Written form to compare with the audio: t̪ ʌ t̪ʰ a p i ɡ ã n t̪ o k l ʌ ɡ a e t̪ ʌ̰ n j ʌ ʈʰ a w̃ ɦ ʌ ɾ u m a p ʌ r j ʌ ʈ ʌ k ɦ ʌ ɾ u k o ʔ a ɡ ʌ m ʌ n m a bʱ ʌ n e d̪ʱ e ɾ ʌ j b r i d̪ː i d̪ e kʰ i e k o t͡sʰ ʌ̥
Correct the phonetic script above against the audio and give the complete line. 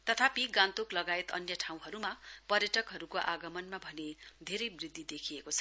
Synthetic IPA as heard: t̪ ʌ t̪ʰ a p i ɡ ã n t̪ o k l ʌ ɡ a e t̪ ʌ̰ n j ʌ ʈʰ a w̃ ɦ ʌ ɾ u m a p ʌ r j ʌ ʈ ʌ k ɦ ʌ ɾ u k o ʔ a ɡ ʌ m ʌ n m a bʱ ʌ n e d̪ʱ e ɾ ʌ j b r i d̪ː i d̪ e kʰ i e k o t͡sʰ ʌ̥